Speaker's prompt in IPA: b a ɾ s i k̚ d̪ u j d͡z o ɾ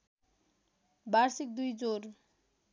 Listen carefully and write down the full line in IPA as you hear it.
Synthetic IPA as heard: b a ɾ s i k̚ d̪ u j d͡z o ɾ